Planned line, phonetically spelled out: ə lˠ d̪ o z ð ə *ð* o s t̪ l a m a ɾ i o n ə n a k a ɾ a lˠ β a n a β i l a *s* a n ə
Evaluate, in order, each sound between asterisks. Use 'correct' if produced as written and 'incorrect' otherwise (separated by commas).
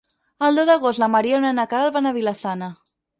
incorrect, correct